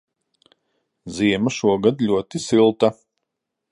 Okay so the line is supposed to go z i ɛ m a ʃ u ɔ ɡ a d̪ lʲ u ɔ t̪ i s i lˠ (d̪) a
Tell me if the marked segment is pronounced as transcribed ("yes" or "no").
no